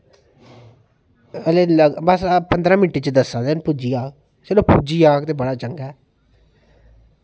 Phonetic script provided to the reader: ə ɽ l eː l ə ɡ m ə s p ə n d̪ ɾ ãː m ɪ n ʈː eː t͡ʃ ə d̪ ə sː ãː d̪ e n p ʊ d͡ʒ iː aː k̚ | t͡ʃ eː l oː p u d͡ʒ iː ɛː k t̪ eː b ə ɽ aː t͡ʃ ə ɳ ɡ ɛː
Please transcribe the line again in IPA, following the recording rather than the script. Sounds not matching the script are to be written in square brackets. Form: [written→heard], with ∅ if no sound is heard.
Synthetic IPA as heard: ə [ɽ→∅] l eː l ə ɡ [m→b] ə s p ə n d̪ ɾ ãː m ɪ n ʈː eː t͡ʃ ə d̪ ə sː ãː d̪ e n p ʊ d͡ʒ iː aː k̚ | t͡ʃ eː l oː p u d͡ʒ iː [ɛː→aː] k t̪ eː b ə ɽ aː t͡ʃ ə [ɳ→ŋ] ɡ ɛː